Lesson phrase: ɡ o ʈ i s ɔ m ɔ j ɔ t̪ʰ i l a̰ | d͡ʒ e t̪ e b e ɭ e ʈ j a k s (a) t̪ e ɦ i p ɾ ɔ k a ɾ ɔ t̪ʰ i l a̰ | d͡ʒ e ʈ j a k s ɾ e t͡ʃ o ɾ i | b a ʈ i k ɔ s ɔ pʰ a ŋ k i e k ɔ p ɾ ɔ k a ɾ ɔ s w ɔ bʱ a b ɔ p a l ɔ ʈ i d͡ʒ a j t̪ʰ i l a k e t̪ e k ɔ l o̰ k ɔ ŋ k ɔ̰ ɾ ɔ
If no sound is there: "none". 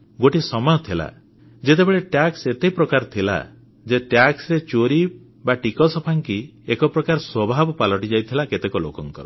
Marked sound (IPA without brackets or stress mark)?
e